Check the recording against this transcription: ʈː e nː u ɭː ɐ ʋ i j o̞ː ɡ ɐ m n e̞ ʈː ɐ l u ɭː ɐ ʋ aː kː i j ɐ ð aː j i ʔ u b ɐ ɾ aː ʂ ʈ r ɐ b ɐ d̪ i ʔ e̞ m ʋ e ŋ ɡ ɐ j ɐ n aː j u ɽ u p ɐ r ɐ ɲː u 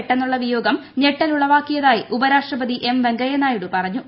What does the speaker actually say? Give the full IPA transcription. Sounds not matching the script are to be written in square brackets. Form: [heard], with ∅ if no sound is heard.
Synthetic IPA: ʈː e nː u ɭː ɐ ʋ i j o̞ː ɡ ɐ m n e̞ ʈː ɐ l u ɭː ɐ ʋ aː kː i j ɐ ð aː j i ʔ u b ɐ ɾ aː ʂ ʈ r ɐ b ɐ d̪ i ʔ e̞ m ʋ e ŋ ɡ ɐ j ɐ n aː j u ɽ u p ɐ r ɐ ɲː u

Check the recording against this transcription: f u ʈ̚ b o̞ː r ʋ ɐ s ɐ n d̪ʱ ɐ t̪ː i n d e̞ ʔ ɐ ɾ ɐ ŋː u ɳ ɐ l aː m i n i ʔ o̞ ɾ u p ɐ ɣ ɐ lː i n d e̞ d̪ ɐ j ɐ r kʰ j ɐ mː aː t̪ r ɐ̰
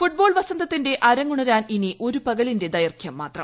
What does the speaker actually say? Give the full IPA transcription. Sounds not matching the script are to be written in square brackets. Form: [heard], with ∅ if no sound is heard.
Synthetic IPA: f u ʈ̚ b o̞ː [ɭ] ʋ ɐ s ɐ n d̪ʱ ɐ t̪ː i n d e̞ ʔ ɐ ɾ ɐ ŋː u ɳ ɐ [ɾ] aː [n] i n i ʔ o̞ ɾ u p ɐ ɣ ɐ [l] i n d e̞ d̪ ɐ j ɐ r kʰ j ɐ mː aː t̪ r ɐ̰

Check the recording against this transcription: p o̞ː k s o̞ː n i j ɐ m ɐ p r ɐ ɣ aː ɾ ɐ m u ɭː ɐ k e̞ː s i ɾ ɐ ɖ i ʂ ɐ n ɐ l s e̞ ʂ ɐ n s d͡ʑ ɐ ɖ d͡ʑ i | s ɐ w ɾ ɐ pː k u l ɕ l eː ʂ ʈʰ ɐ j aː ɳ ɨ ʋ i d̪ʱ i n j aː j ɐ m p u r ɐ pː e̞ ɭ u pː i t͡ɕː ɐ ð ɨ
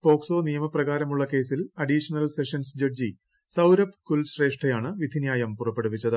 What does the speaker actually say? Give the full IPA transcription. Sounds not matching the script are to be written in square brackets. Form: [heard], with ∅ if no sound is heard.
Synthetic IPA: p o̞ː k s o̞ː n i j ɐ m ɐ p r ɐ ɣ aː ɾ ɐ m u ɭː ɐ k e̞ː s i [l] ɐ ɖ i ʂ ɐ n ɐ l s e̞ ʂ ɐ n s d͡ʑ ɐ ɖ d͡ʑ i | s ɐ w ɾ ɐ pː k u l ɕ [r] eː ʂ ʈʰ ɐ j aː ɳ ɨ ʋ i d̪ʱ i n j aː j ɐ m p u r ɐ pː e̞ [ɽ] u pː i t͡ɕː ɐ ð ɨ

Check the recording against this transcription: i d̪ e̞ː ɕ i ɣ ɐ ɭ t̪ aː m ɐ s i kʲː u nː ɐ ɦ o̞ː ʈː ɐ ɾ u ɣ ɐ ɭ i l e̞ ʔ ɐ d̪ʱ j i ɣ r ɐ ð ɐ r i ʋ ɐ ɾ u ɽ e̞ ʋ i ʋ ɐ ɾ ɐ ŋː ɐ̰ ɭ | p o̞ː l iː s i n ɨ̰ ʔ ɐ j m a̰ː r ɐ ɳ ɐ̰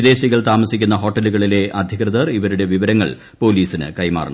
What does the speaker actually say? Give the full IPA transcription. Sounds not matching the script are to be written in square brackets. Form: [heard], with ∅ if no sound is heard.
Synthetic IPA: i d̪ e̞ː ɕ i ɣ ɐ ɭ t̪ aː m ɐ s i kʲː u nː ɐ ɦ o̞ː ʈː ɐ [l] u ɣ ɐ ɭ i l e̞ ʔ ɐ d̪ʱ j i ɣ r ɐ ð ɐ r i ʋ ɐ ɾ u ɽ e̞ ʋ i ʋ ɐ ɾ ɐ ŋː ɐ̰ ɭ | p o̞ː l iː s i n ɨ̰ [k] ɐ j m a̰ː r ɐ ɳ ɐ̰

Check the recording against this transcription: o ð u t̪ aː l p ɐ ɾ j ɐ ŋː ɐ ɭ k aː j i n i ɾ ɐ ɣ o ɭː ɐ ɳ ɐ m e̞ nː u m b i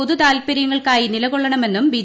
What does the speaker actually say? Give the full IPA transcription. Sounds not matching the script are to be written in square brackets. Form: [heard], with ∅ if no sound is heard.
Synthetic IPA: o ð u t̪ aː l p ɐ ɾ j ɐ ŋː ɐ ɭ k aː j i n i [l] ɐ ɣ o ɭː ɐ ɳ ɐ m e̞ nː u m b i

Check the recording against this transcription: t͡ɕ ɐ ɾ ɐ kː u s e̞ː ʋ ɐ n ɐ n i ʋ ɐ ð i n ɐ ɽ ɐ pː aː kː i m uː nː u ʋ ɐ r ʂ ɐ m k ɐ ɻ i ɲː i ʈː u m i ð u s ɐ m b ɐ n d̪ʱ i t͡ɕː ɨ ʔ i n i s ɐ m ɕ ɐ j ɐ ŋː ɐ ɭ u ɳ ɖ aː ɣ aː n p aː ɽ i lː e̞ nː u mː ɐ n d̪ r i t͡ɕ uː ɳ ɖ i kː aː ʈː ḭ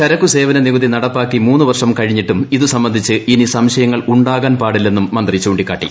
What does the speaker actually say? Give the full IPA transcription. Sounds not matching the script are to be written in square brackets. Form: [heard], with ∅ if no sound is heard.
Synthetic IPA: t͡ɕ ɐ ɾ ɐ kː u s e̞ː ʋ ɐ n ɐ n i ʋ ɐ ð i n ɐ ɽ ɐ pː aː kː i m uː nː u ʋ ɐ r ʂ ɐ m k ɐ ɻ i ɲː i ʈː u m i ð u s ɐ m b ɐ n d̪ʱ i t͡ɕː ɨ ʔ i n i s ɐ m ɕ ɐ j ɐ ŋː ɐ ɭ u ɳ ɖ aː ɣ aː n p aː ɽ i lː e̞ nː u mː ɐ n d̪ r i t͡ɕ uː ɳ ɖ i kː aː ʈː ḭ

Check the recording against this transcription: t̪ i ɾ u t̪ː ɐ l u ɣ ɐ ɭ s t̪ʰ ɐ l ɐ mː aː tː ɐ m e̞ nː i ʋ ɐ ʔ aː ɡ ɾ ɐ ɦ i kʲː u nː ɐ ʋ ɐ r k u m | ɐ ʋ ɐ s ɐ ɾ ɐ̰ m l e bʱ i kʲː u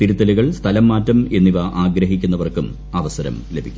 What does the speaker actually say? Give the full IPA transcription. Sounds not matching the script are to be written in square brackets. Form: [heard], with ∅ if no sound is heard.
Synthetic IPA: t̪ i ɾ u t̪ː ɐ l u ɣ ɐ ɭ s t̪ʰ ɐ l ɐ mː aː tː ɐ m e̞ nː i ʋ ɐ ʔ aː ɡ ɾ ɐ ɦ i kʲː u nː ɐ ʋ ɐ r k u m | ɐ ʋ ɐ s ɐ ɾ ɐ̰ m l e bʱ i kʲː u

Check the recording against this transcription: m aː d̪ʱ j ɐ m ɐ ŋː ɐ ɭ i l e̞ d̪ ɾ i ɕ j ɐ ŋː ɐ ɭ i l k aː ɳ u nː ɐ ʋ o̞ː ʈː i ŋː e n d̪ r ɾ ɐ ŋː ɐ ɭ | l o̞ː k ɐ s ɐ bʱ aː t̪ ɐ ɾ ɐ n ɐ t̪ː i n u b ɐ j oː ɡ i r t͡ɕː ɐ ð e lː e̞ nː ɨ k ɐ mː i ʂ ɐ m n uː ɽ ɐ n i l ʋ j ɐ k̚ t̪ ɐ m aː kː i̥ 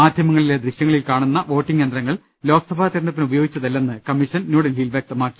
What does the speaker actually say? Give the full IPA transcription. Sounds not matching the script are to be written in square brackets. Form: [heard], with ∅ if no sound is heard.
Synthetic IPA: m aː d̪ʱ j ɐ m ɐ ŋː ɐ ɭ i l e̞ d̪ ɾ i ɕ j ɐ ŋː ɐ ɭ i l k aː ɳ u nː ɐ ʋ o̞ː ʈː i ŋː e n d̪ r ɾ ɐ ŋː ɐ ɭ | l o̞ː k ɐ s ɐ bʱ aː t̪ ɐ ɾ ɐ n ɐ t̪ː i n u b ɐ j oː ɡ i [∅] t͡ɕː ɐ ð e lː e̞ nː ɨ k ɐ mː i ʂ ɐ [n] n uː ɽ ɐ n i l ʋ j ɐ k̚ t̪ ɐ m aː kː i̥

